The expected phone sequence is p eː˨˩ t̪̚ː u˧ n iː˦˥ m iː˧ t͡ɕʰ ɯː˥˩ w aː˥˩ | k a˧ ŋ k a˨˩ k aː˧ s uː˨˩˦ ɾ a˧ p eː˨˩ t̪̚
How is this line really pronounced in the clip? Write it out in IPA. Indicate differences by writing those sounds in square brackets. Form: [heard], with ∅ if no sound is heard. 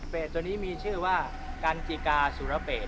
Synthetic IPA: p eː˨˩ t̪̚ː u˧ n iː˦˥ m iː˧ t͡ɕʰ ɯː˥˩ w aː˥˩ | k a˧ [n] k [i˨˩] k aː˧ s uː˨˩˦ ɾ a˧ p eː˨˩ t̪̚